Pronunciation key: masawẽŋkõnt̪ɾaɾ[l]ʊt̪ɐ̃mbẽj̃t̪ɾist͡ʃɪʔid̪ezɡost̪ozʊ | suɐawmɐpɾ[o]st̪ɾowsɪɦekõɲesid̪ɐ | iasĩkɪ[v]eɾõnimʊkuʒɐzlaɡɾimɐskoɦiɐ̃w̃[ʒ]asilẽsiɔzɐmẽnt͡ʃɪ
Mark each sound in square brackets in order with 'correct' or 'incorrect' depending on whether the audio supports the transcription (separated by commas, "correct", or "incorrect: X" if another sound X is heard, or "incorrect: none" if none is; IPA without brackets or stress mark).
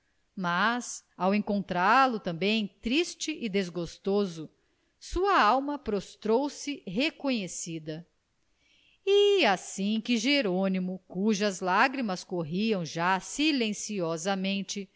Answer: correct, correct, incorrect: ʒ, correct